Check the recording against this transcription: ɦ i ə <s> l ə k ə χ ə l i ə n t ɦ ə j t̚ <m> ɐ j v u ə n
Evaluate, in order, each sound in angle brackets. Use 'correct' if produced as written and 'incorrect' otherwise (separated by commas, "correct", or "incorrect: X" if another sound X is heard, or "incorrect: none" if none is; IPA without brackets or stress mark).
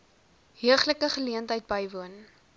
incorrect: χ, incorrect: b